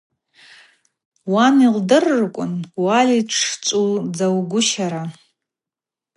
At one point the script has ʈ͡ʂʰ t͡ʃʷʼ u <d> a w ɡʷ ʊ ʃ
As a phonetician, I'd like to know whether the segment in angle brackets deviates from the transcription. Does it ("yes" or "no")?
yes